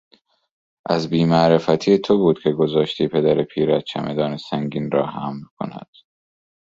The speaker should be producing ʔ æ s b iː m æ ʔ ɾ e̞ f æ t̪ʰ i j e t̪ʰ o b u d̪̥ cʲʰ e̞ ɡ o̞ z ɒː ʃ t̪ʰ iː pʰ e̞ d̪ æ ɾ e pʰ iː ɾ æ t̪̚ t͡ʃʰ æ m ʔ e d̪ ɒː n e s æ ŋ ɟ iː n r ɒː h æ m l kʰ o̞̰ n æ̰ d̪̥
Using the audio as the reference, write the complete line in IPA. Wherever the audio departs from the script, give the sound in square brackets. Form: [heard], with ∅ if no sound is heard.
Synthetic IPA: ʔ æ [z] b iː m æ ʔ ɾ e̞ f æ t̪ʰ i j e t̪ʰ o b [uː] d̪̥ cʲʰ e̞ ɡ o̞ z ɒː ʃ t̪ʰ iː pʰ e̞ d̪ æ ɾ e pʰ iː ɾ æ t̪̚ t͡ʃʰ æ m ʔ e d̪ ɒː n e s æ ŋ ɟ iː n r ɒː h æ m l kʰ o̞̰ n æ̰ d̪̥